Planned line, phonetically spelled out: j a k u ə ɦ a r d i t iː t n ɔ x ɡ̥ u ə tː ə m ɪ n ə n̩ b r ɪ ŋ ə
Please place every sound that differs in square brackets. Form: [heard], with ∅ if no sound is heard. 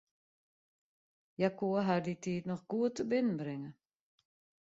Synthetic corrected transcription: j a k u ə ɦ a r d i t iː t n ɔ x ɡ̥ u ə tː ə [b] ɪ n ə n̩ b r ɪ ŋ ə